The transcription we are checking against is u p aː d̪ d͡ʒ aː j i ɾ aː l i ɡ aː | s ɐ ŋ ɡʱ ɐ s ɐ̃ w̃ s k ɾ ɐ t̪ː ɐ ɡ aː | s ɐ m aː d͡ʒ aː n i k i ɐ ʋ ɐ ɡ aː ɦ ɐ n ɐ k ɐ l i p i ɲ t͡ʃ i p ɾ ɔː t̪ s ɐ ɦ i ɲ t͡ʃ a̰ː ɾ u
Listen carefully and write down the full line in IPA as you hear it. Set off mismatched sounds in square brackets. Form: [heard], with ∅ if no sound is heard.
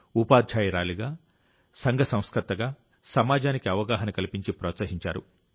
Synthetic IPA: u p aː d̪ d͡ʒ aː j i ɾ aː l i ɡ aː | s ɐ ŋ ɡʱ ɐ s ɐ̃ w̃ s k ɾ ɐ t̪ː ɐ ɡ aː | s ɐ m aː d͡ʒ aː n i k i ɐ ʋ ɐ ɡ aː ɦ ɐ n ɐ k ɐ l i p i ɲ t͡ʃ i p ɾ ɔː t̪ s ɐ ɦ i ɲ t͡ʃ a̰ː ɾ u